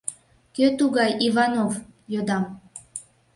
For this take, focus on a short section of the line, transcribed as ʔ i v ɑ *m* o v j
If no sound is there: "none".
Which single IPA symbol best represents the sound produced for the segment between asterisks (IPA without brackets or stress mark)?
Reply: n